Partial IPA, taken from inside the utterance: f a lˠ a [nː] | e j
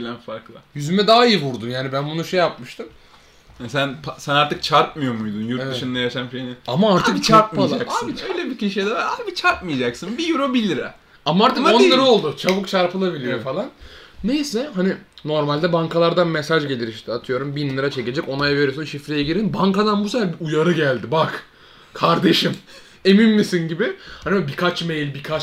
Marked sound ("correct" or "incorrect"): correct